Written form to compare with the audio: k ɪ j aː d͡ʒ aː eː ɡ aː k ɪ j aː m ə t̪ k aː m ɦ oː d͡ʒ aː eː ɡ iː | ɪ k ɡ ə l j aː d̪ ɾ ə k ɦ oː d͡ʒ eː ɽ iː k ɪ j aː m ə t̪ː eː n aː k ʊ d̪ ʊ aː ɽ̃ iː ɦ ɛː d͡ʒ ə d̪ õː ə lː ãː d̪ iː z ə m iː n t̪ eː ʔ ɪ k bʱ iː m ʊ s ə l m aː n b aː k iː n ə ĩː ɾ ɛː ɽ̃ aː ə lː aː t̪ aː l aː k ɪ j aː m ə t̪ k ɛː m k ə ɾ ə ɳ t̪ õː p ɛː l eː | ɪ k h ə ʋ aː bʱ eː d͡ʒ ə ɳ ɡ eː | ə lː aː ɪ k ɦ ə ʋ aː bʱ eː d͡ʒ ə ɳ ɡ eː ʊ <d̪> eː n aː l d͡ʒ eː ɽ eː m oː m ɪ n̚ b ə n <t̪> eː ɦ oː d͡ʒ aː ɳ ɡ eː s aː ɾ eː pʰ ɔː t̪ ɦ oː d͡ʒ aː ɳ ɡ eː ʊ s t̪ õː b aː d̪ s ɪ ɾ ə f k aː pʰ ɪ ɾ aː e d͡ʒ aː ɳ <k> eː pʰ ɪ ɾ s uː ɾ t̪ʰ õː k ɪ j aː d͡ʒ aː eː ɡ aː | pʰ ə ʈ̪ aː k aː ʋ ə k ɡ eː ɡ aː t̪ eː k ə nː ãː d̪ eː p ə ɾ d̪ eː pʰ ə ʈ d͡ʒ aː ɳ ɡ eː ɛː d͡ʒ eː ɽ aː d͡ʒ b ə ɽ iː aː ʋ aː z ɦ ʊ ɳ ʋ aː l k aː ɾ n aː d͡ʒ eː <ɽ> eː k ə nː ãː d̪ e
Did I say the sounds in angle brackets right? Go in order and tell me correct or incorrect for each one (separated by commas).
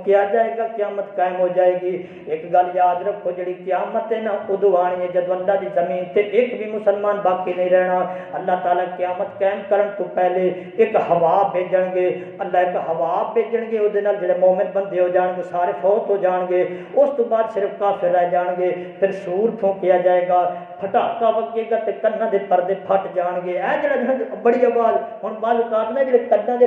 correct, incorrect, incorrect, correct